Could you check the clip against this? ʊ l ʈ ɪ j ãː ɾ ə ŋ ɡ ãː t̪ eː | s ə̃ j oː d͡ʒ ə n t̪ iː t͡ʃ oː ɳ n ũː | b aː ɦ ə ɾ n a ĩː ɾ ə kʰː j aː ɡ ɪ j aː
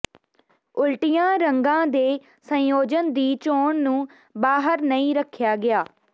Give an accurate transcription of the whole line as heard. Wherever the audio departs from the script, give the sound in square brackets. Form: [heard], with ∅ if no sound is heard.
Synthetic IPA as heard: ʊ l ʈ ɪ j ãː ɾ ə ŋ ɡ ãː [d̪] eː | s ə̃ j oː d͡ʒ ə n [d̪] iː t͡ʃ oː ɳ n ũː | b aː ɦ ə ɾ n [ə] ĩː ɾ ə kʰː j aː ɡ ɪ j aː